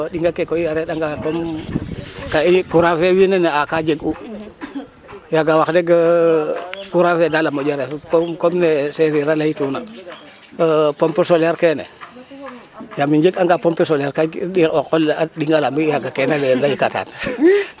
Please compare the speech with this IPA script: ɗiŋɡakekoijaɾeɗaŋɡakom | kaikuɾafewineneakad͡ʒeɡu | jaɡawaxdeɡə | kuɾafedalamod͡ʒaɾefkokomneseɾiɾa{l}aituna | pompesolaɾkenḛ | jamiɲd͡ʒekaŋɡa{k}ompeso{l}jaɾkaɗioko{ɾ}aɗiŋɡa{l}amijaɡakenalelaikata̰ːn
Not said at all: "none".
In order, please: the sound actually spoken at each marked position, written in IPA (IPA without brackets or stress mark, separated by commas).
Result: l, p, l, l, l